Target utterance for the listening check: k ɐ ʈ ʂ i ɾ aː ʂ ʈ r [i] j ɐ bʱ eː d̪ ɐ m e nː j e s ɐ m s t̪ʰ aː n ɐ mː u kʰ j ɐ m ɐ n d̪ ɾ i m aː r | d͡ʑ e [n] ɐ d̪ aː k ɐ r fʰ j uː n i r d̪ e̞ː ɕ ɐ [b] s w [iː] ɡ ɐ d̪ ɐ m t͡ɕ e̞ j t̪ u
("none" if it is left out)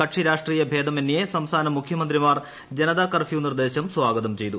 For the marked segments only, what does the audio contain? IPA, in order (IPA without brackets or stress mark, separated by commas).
iː, n, m, aː